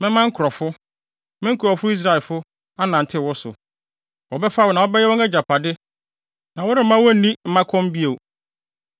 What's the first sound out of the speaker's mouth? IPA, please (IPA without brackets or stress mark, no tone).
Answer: m